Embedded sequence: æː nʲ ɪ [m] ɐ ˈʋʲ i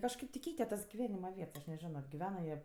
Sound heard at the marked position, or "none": m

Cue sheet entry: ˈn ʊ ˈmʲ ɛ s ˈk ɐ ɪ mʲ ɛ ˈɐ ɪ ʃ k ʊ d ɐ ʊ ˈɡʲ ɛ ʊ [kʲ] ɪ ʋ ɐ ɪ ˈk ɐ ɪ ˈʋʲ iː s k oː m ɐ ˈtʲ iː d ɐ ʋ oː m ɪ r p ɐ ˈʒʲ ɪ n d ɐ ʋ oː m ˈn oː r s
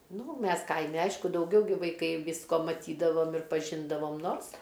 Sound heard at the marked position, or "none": ɡʲ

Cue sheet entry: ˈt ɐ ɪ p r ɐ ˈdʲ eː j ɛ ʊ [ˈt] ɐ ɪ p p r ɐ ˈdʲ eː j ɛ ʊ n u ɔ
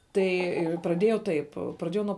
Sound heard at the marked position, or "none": t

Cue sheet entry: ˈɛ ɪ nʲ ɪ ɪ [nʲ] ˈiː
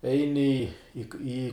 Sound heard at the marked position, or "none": none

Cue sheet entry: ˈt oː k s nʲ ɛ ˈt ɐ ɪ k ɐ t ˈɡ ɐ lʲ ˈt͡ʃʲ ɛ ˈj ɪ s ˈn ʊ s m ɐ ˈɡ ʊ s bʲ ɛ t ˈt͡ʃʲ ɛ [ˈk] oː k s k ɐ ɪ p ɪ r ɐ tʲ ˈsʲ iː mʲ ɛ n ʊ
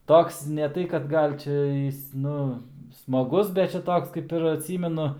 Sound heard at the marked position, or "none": t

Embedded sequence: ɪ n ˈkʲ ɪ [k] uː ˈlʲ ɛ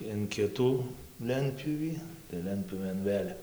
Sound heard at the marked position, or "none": t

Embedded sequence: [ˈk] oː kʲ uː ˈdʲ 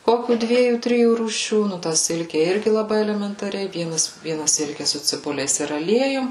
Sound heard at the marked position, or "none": k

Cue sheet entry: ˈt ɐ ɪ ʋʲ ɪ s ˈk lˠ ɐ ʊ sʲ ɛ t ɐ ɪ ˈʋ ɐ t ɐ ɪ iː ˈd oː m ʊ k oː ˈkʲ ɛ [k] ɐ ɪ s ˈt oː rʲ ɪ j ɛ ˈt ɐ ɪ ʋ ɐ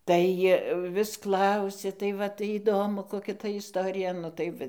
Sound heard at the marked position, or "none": t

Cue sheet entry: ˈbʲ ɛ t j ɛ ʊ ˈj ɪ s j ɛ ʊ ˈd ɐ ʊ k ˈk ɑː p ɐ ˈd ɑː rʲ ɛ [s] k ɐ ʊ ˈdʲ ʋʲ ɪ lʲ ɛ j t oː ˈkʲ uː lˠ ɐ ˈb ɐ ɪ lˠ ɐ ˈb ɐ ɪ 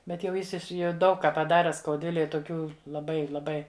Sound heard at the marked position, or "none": s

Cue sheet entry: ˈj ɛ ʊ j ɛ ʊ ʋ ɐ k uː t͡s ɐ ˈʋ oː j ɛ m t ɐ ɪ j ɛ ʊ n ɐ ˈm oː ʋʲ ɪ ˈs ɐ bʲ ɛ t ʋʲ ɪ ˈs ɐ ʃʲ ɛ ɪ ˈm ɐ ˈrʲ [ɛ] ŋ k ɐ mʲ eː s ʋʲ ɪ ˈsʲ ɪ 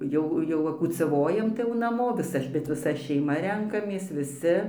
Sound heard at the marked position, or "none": ɛ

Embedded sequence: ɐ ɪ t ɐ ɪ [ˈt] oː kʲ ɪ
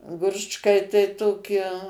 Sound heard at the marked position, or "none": t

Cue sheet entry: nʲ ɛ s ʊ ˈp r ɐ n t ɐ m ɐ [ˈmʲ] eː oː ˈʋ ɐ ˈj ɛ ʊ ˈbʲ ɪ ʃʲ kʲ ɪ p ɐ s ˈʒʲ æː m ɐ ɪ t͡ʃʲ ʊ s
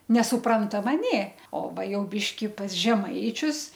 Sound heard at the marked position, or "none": nʲ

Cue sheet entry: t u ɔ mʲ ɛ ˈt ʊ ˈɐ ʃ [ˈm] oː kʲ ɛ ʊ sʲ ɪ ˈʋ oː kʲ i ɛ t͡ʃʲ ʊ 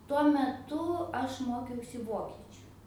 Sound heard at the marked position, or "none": m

